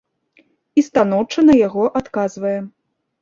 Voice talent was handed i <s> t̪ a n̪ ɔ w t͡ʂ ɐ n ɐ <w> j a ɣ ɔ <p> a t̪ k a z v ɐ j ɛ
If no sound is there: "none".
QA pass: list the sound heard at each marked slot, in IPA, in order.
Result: s, none, ʔ

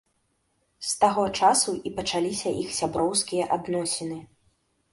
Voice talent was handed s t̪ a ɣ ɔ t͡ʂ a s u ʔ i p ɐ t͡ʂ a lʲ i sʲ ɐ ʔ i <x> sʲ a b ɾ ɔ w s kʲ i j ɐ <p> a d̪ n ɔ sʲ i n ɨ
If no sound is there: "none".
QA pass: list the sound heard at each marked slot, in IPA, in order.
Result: x, ʔ

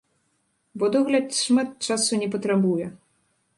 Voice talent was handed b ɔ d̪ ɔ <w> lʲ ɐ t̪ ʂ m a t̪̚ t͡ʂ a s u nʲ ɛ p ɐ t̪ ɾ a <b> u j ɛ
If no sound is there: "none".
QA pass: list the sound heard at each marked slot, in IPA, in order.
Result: ɣ, b

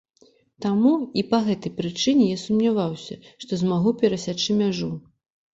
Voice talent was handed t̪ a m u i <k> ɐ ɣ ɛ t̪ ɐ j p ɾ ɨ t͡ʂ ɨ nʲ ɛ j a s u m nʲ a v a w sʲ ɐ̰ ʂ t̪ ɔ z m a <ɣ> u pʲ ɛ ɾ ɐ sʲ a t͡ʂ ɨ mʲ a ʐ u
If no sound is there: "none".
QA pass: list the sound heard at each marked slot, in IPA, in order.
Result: p, ɣ

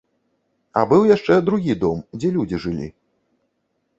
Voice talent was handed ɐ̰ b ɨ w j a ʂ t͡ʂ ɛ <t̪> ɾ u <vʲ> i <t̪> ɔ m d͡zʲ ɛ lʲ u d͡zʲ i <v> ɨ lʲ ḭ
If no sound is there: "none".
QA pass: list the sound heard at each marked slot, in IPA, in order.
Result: d̪, ɣʲ, d̪, ʐ

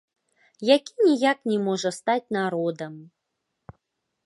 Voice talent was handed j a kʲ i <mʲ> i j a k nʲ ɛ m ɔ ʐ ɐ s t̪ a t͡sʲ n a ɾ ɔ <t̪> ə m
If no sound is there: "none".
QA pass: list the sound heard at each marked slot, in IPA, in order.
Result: nʲ, d̪

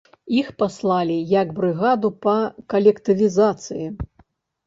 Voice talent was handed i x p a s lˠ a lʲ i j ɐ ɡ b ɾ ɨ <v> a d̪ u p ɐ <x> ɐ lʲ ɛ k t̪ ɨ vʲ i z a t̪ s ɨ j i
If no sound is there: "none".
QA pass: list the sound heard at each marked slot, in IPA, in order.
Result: ɣ, k

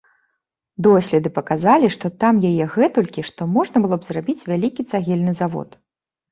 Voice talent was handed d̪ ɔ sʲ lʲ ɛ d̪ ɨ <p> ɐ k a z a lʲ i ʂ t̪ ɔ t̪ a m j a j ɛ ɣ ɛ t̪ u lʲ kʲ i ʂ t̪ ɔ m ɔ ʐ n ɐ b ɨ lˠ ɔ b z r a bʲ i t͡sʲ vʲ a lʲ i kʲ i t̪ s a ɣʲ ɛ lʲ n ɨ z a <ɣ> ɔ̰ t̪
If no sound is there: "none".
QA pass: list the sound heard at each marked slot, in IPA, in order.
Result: p, v

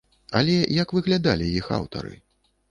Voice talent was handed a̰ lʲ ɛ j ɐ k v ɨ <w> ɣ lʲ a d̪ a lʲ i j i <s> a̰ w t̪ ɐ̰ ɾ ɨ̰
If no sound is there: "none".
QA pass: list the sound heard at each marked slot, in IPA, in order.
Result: none, x

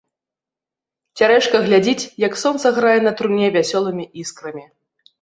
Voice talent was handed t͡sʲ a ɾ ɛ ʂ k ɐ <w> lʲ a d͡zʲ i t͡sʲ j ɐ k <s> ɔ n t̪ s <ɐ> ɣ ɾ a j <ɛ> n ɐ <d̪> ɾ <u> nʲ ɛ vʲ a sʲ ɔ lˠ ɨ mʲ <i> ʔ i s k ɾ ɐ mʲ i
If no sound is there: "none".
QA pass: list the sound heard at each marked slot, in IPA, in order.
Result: ɣ, s, ɐ, ɛ, t̪, u, i

